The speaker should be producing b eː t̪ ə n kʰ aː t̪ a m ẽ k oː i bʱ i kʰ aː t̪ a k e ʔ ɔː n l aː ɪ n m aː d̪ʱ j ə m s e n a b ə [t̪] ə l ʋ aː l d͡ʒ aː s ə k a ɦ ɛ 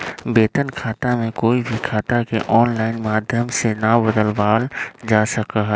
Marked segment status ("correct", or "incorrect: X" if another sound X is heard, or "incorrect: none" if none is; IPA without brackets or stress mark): incorrect: d̪